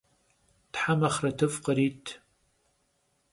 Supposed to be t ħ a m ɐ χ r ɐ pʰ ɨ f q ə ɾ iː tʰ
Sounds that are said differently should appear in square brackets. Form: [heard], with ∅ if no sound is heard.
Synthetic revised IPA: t ħ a m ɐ χ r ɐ [tʰ] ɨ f q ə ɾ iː tʰ